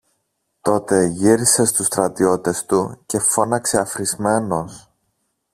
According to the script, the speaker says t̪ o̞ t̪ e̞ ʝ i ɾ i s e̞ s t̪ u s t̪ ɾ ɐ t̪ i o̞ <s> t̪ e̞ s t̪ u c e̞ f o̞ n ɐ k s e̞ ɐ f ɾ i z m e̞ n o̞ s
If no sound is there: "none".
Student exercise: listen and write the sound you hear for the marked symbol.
none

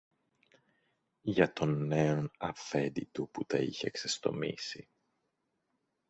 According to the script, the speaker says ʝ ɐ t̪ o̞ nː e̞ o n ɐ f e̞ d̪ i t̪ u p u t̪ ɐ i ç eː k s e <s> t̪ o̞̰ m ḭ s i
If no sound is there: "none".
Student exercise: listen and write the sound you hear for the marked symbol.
s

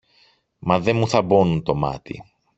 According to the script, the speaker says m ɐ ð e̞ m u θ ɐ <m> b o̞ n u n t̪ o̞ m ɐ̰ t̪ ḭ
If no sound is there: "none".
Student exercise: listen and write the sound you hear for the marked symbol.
none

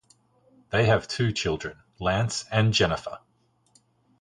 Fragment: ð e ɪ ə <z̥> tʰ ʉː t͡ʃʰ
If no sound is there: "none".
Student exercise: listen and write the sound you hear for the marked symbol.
v̥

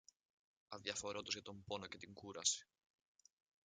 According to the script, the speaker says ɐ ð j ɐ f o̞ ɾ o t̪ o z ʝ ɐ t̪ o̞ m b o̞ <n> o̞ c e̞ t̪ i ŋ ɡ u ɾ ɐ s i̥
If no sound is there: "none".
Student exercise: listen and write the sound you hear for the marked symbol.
n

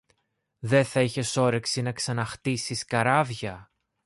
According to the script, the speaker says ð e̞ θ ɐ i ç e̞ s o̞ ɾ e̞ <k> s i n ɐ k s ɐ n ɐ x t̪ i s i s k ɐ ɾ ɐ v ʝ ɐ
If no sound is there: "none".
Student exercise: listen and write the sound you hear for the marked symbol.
k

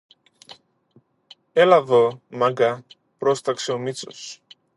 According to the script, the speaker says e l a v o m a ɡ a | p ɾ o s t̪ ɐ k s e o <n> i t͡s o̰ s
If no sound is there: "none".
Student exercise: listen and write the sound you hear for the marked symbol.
m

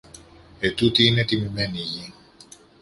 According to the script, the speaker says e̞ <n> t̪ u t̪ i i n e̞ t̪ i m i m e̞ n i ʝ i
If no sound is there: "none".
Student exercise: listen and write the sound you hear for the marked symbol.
none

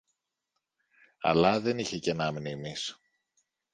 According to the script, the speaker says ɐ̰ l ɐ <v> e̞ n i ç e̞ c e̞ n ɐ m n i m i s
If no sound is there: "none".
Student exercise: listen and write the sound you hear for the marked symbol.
ð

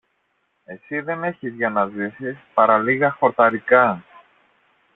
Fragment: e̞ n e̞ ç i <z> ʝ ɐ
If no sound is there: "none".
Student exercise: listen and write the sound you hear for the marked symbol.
z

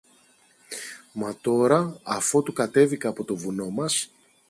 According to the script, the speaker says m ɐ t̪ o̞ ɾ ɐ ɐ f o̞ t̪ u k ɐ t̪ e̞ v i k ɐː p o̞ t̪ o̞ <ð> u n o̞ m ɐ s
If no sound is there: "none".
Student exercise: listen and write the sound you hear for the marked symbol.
v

